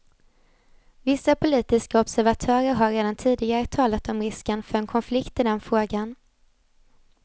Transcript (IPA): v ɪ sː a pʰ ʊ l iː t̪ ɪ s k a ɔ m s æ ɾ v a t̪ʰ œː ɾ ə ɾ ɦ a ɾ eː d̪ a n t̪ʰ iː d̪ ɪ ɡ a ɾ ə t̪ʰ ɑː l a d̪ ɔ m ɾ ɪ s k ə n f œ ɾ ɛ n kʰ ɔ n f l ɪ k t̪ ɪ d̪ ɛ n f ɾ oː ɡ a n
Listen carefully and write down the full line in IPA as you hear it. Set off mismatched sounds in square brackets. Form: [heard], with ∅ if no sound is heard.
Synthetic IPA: v ɪ sː a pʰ ʊ l iː t̪ ɪ s k a ɔ [b] s æ ɾ v a t̪ʰ œː ɾ ə ɾ ɦ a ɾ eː d̪ a n t̪ʰ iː d̪ ɪ ɡ a ɾ ə t̪ʰ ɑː l a [t̪] ɔ m ɾ ɪ s k ə n f œ ɾ ɛ n kʰ ɔ n f l ɪ k t̪ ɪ d̪ ɛ n f ɾ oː ɡ a n